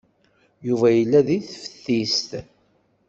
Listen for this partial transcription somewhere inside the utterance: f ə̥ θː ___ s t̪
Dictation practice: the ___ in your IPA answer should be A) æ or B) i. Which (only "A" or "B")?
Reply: B